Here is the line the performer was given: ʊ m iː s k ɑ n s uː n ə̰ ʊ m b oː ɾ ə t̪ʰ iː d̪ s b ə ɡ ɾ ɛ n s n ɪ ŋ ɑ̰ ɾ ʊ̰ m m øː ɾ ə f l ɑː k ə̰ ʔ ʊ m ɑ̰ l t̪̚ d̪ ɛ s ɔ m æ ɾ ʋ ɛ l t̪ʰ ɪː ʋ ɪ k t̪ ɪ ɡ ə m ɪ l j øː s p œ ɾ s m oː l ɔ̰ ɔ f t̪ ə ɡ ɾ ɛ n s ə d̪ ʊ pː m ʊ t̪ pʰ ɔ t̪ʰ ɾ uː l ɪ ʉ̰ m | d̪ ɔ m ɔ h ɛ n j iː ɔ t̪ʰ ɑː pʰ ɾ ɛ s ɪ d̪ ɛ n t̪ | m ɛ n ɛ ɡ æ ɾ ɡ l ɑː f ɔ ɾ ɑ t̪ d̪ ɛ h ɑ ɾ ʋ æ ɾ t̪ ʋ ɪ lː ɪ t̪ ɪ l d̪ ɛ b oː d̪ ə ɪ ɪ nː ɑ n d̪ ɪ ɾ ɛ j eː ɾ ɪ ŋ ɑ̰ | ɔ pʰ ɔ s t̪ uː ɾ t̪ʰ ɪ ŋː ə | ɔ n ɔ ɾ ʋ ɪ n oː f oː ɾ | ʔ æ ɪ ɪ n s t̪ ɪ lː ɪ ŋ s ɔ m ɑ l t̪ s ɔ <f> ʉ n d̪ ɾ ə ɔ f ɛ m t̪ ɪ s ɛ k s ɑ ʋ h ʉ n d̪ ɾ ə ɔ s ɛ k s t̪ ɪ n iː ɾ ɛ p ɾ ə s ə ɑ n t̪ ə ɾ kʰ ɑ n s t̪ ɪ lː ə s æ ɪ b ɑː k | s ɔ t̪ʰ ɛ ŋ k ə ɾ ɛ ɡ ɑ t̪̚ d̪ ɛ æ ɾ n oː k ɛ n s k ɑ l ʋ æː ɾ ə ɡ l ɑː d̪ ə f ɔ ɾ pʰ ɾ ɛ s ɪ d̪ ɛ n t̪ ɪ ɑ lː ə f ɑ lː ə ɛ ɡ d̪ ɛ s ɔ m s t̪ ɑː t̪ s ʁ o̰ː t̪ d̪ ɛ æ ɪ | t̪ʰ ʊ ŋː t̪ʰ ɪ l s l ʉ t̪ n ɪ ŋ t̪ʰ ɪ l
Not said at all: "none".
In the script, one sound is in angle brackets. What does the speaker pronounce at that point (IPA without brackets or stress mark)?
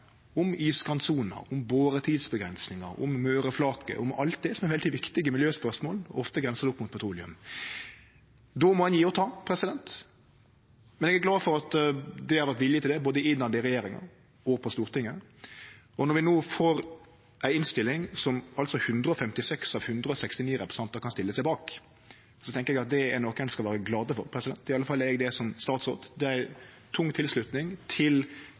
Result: h